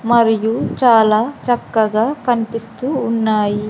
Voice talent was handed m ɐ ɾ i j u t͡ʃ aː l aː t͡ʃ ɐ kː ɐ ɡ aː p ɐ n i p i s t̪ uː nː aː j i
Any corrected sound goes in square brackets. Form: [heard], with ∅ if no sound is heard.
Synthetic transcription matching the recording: m ɐ ɾ i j u t͡ʃ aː l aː t͡ʃ ɐ kː ɐ ɡ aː [k] ɐ n i p i s t̪ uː nː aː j i

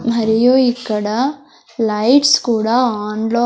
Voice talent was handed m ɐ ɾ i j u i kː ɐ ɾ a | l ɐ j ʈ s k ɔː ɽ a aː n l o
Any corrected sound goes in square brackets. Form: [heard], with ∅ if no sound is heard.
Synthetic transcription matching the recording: m ɐ ɾ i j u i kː ɐ [ɽ] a | l ɐ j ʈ s k [uː] ɽ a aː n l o

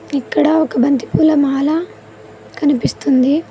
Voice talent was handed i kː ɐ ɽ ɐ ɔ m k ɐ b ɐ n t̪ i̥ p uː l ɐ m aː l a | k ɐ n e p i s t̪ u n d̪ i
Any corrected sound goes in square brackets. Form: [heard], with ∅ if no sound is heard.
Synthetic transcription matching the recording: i kː ɐ ɽ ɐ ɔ [∅] k ɐ b ɐ n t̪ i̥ p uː l ɐ m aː l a | k ɐ n [i] p i s t̪ u n d̪ i

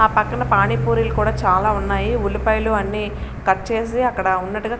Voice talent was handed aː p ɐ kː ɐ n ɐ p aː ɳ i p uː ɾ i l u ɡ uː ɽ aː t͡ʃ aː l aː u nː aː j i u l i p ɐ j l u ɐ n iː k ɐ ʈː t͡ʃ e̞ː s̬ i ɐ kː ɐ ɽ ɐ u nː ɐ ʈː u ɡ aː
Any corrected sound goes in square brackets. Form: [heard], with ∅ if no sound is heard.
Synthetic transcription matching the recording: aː p ɐ kː ɐ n ɐ p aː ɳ i p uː ɾ i l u [k] uː ɽ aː t͡ʃ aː l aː u nː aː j i u l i p ɐ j l u ɐ [nː] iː k ɐ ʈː t͡ʃ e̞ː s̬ i ɐ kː ɐ ɽ ɐ u nː ɐ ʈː u ɡ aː

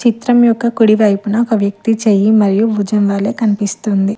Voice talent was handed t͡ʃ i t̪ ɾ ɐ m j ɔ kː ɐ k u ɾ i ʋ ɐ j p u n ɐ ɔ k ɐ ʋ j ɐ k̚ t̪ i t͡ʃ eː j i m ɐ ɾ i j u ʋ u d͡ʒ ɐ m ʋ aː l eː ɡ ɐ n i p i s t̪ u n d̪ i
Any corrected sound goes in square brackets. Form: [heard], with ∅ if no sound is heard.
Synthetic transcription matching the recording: t͡ʃ i t̪ ɾ ɐ m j ɔ kː ɐ k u [ɽ] i ʋ ɐ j p u n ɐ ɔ k ɐ ʋ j ɐ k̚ t̪ i t͡ʃ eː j i m ɐ ɾ i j u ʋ u d͡ʒ ɐ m ʋ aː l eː [k] ɐ n i p i s t̪ u n d̪ i

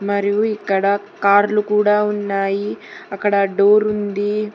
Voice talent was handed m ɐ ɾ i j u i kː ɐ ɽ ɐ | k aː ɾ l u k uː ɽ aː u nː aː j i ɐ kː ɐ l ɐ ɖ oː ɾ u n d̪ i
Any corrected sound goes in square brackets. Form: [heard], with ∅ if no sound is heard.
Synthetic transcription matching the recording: m ɐ ɾ i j u i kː ɐ ɽ ɐ | k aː ɾ l u k uː ɽ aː u nː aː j i ɐ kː ɐ [ɽ] ɐ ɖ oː ɾ u n d̪ i

